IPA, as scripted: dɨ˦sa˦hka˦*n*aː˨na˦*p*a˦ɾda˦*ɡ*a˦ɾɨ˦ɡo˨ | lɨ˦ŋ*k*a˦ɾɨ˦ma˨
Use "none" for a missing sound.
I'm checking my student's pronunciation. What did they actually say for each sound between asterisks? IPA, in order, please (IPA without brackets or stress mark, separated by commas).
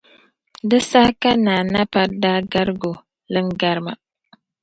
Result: n, p, ɡ, ɡ